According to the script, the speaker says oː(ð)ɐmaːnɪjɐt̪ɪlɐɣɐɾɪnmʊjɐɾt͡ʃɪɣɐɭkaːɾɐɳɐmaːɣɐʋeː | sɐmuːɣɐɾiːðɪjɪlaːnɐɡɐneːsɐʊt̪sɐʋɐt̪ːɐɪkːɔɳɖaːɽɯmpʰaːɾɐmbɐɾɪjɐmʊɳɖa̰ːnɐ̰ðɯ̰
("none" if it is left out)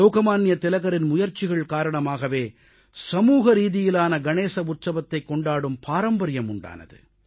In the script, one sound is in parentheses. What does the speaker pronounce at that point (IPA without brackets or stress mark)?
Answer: ɣ